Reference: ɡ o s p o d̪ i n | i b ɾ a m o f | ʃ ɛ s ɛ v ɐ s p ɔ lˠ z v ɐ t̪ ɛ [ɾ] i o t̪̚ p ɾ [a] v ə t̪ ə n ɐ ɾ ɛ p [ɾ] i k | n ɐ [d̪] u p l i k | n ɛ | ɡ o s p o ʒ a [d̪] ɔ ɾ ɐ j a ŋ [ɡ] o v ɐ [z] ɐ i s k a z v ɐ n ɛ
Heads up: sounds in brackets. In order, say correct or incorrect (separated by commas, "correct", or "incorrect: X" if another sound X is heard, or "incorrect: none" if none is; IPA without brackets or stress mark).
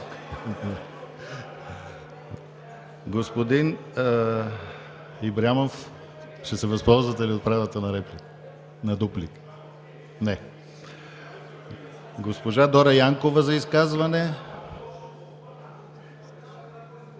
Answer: incorrect: l, correct, incorrect: l, correct, correct, incorrect: k, correct